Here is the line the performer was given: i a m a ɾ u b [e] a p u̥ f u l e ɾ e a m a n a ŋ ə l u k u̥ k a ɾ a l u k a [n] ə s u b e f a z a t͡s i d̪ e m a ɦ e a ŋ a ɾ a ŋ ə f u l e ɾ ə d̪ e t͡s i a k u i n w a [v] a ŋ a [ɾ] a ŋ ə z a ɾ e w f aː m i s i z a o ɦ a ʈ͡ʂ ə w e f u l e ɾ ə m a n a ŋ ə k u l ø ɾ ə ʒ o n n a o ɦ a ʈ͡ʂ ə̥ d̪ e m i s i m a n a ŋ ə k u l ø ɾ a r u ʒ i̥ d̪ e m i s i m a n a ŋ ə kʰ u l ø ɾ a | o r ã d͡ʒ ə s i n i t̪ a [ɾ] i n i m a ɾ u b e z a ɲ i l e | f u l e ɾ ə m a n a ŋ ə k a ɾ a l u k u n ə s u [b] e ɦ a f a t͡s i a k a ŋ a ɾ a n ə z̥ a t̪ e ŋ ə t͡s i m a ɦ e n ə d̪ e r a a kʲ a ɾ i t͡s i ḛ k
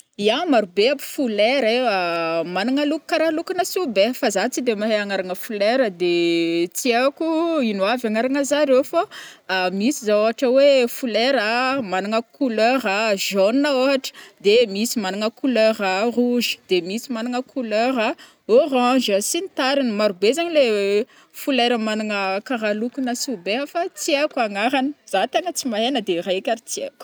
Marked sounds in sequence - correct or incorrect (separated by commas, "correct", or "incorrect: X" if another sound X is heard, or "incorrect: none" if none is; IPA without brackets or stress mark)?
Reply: correct, correct, correct, correct, correct, correct